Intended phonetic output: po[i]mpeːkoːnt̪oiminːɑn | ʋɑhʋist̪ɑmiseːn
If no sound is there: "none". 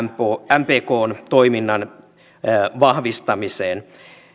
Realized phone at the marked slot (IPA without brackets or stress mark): æ